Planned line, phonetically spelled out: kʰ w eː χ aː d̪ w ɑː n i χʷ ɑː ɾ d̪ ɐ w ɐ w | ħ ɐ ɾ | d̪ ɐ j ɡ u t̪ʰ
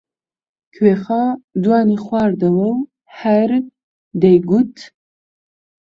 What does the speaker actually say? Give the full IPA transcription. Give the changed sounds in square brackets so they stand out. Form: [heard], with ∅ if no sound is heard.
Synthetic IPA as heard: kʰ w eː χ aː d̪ w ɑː n i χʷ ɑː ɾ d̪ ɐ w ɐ w | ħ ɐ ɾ | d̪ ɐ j ɡ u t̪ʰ